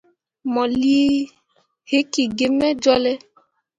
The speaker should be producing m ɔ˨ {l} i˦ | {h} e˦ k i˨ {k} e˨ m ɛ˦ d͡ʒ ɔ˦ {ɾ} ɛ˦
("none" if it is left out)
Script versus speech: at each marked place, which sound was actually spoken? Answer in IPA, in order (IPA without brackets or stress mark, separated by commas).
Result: l, h, ɡ, l